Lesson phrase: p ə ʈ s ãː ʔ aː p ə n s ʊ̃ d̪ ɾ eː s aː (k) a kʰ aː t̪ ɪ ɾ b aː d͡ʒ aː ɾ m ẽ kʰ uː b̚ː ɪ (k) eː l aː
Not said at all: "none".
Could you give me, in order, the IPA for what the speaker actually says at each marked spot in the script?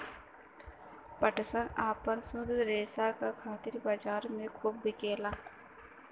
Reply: k, k

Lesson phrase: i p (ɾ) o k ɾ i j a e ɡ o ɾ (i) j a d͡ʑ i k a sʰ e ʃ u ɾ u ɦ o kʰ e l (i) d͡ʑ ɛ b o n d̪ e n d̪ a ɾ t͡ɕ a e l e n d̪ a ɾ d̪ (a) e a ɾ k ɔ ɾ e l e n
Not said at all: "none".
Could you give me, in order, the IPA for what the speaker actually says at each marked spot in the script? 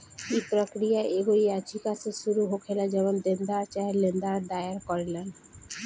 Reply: ɾ, i, a, a

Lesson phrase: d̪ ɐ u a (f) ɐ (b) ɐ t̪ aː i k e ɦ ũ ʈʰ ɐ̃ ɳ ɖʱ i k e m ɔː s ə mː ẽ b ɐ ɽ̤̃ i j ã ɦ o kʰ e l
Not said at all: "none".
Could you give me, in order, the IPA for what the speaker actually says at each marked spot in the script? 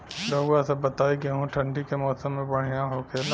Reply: s, b

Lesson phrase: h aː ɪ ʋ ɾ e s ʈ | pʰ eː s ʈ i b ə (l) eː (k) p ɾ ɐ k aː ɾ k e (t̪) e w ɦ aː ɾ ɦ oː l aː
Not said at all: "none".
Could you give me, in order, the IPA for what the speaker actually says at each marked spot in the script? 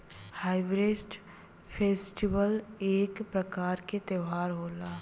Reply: l, k, t̪

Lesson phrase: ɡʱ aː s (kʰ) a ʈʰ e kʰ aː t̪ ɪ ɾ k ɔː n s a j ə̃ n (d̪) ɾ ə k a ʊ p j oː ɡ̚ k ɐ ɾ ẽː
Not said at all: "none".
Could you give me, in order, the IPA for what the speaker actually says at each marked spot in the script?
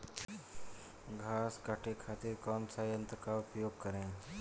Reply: k, t̪

